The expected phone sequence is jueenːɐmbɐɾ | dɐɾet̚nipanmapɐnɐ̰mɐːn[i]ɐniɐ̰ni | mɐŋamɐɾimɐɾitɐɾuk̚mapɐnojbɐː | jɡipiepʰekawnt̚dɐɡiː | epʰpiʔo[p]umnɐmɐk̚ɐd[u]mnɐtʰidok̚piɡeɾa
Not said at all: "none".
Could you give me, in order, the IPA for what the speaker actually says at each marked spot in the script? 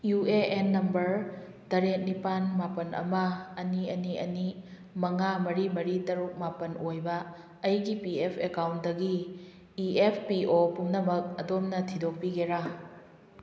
i, p, o

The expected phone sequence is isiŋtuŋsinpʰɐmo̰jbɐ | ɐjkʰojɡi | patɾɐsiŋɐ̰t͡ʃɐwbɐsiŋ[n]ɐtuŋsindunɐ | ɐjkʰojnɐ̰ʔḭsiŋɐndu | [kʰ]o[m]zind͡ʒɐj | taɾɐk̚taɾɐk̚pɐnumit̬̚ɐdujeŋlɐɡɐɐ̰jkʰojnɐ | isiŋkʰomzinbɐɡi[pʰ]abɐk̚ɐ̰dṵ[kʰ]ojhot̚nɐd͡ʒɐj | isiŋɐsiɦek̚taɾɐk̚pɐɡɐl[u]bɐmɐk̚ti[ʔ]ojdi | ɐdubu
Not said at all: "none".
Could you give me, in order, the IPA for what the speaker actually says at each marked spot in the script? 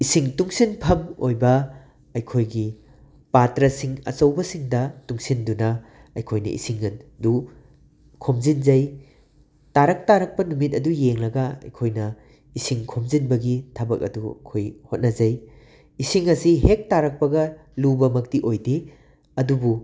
d, kʰ, m, tʰ, kʰ, u, ʔ

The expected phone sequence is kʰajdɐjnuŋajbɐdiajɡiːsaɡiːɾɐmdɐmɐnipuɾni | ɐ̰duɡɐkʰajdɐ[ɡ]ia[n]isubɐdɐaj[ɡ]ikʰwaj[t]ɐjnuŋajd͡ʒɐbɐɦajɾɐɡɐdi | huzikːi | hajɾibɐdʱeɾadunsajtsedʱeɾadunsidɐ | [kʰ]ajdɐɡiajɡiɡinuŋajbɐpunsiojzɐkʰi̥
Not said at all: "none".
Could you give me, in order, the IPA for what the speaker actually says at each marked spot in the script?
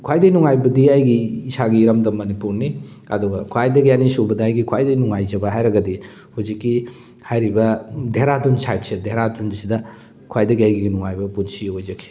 ɡ, n, ɡ, d, kʰ

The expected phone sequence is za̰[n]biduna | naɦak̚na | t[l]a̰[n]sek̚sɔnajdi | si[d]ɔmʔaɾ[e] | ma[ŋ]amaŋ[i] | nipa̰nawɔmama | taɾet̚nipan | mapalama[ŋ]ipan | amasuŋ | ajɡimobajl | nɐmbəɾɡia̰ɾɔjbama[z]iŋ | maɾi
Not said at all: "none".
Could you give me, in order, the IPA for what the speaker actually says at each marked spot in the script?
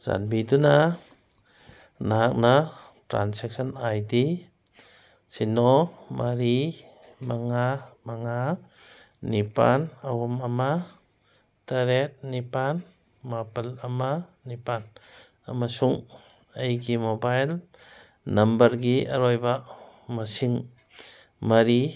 n, ɾ, n, n, i, ŋ, a, n, s

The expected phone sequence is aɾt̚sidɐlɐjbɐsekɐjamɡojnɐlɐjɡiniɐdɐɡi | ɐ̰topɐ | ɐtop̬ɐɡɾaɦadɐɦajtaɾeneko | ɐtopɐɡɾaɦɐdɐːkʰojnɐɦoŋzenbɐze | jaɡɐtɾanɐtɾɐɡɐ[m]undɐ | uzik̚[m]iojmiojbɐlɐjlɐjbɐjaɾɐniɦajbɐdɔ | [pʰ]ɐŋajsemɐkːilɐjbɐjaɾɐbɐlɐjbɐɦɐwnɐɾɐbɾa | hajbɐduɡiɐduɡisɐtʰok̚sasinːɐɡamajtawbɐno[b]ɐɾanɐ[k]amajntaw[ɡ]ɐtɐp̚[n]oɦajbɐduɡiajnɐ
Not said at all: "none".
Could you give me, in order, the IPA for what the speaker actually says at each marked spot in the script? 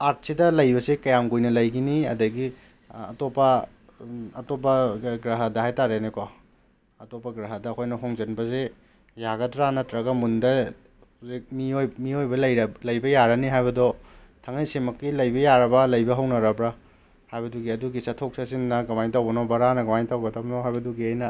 m, m, tʰ, b, ɡ, ɡ, n

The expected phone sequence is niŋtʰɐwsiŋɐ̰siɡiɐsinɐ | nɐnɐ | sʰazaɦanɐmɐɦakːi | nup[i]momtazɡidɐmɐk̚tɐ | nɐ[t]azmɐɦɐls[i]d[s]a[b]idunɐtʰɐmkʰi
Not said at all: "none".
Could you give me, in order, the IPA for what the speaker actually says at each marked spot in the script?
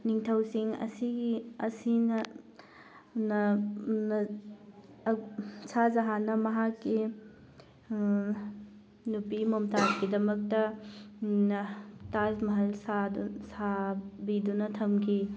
i, t, a, s, b

